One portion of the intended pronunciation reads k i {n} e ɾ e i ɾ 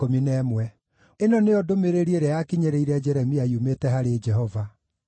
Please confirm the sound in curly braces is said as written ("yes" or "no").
no